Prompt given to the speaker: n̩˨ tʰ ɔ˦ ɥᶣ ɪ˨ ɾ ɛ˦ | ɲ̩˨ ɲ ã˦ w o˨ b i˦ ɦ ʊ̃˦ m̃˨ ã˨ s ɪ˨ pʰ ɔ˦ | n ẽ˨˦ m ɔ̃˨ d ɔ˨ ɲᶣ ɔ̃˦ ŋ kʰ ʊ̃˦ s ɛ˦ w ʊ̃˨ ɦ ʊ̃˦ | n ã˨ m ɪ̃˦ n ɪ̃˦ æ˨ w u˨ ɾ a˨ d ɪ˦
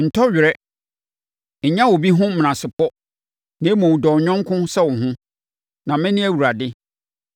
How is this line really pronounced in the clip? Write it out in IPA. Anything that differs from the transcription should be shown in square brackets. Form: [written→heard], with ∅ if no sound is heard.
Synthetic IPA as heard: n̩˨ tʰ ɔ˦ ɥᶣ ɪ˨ ɾ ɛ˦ | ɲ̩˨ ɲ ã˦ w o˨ b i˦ ɦ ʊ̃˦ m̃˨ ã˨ s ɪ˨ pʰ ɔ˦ | n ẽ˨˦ m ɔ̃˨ d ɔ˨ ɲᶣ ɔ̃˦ ŋ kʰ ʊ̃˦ s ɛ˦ w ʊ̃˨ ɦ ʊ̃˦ | n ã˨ m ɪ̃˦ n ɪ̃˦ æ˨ w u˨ ɾ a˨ d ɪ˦